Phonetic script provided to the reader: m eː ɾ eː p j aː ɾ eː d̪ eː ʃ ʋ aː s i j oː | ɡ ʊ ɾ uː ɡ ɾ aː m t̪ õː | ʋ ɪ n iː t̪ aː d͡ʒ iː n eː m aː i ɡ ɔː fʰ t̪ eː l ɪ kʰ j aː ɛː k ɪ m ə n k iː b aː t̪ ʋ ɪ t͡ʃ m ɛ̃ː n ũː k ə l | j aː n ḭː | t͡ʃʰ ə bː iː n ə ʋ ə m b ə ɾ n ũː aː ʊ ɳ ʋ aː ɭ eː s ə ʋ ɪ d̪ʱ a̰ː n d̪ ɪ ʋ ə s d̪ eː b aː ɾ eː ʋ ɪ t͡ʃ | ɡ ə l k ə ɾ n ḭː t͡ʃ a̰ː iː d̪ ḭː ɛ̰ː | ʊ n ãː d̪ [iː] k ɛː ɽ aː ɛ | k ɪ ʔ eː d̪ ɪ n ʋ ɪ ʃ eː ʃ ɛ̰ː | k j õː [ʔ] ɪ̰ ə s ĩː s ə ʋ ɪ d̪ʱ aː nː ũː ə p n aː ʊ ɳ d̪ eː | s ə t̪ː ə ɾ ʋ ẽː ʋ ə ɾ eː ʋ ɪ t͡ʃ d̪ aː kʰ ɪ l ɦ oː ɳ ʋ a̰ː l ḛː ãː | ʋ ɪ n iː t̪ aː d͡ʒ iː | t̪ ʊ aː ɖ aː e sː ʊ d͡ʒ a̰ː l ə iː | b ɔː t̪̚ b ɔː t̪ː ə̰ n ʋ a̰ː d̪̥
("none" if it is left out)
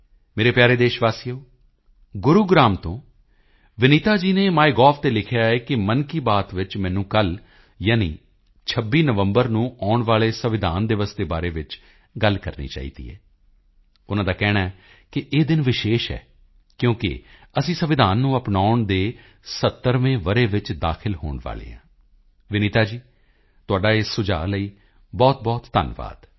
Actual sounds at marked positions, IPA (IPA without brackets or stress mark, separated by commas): aː, k